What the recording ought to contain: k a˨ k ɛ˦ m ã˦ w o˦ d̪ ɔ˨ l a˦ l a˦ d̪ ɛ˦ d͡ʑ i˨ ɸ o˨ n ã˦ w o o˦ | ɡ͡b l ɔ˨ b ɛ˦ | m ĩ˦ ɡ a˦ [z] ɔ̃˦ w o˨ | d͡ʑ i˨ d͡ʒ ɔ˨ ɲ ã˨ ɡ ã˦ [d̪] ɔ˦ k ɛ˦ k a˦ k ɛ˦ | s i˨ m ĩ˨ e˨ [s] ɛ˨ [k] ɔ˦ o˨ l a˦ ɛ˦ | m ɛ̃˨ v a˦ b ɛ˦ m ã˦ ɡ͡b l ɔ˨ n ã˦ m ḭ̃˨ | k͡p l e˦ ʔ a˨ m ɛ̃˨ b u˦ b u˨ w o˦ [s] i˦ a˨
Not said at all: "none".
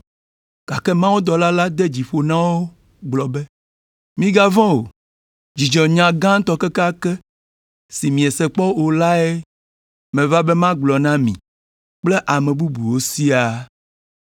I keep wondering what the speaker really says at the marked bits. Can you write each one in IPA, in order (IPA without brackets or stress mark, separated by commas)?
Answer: v, t̪, s, k͡p, s